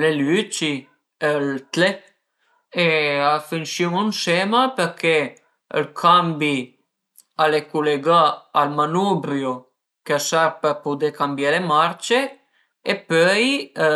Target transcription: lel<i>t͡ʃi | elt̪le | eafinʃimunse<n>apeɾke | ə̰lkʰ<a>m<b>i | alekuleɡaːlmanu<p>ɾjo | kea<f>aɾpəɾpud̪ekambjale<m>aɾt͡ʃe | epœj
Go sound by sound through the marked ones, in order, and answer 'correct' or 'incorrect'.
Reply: incorrect: y, incorrect: m, correct, correct, incorrect: b, incorrect: s, correct

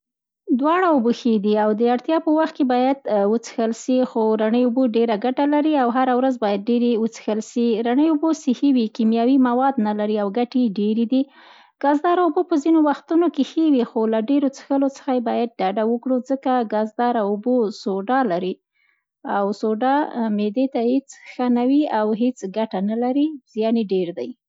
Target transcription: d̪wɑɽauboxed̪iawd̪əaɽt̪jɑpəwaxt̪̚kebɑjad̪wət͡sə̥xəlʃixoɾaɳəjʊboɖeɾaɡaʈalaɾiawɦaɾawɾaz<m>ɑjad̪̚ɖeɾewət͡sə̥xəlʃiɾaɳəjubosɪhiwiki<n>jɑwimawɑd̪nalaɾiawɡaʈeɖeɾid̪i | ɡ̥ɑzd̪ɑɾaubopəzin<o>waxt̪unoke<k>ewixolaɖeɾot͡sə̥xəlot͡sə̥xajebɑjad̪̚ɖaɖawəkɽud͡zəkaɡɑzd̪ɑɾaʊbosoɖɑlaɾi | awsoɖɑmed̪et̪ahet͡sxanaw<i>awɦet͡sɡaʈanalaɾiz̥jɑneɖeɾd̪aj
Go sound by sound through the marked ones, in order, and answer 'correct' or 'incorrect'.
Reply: incorrect: b, incorrect: m, correct, incorrect: x, correct

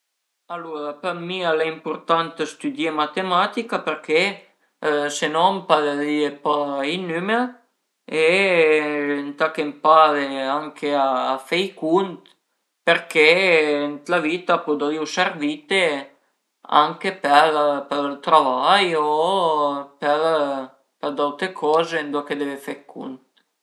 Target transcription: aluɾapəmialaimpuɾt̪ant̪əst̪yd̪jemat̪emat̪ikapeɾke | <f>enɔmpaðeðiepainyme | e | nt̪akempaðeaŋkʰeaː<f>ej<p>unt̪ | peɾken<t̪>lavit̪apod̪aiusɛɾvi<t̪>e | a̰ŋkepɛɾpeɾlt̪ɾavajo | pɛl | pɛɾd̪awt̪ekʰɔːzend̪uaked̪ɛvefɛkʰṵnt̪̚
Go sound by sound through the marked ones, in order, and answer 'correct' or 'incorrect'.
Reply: incorrect: s, correct, incorrect: k, correct, correct

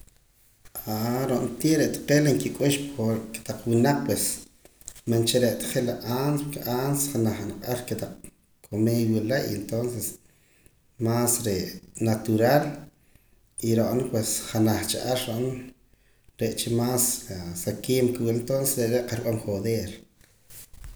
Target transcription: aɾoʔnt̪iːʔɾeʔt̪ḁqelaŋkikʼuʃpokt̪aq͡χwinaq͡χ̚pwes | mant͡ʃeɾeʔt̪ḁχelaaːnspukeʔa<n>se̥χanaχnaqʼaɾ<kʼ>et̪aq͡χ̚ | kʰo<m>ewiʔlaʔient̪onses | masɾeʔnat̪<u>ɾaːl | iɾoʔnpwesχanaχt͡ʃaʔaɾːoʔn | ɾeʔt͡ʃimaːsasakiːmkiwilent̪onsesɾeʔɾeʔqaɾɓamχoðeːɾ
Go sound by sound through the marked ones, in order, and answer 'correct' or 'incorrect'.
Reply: correct, incorrect: k, correct, correct

